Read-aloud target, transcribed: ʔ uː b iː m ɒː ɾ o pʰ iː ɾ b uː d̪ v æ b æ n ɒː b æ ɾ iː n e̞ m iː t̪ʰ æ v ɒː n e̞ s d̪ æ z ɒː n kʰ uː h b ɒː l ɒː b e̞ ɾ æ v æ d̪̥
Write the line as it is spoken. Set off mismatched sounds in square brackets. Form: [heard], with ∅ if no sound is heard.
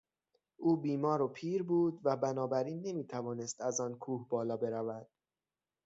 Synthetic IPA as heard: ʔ uː b iː m ɒː ɾ o pʰ iː ɾ b uː d̪ v æ b æ n ɒː b æ ɾ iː [nː] e̞ m iː t̪ʰ æ v ɒː n e̞ s [t̪] æ z ɒː n kʰ uː h b ɒː l ɒː b e̞ ɾ æ v æ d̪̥